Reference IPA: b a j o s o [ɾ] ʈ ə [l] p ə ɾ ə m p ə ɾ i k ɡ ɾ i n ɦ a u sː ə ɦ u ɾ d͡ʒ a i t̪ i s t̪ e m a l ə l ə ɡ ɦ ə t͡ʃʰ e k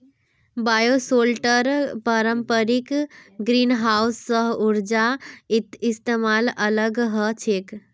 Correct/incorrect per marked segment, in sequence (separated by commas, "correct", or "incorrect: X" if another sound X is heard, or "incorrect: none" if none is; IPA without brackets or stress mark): incorrect: l, incorrect: ɾ